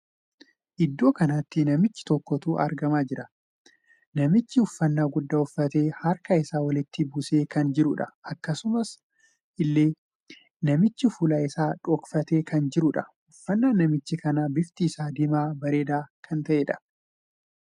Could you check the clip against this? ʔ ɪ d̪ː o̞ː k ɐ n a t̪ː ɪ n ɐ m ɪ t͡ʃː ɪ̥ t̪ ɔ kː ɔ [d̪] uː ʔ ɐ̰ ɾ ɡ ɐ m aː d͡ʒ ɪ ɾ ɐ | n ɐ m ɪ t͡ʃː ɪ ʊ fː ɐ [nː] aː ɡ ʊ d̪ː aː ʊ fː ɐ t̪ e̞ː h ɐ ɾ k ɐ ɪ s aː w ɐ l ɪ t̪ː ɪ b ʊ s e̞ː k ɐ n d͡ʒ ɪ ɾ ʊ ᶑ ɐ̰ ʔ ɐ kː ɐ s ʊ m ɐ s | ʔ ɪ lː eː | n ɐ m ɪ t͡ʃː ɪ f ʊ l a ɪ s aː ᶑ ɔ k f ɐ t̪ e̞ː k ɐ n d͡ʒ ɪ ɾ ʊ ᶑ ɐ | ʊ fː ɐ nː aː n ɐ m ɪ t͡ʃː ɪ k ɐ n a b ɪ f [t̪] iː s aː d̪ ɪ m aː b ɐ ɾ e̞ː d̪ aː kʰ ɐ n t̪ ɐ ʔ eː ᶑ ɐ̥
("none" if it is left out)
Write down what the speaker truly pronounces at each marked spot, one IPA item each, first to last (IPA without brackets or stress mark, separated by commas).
t̪, nː, t̪